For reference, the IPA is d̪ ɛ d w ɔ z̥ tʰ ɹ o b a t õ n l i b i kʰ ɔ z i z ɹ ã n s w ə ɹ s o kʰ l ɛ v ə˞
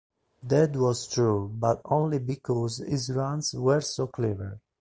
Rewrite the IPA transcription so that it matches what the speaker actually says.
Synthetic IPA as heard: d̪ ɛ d w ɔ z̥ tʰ ɹ u b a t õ n l i b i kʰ ɔ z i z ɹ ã n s w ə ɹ s o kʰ l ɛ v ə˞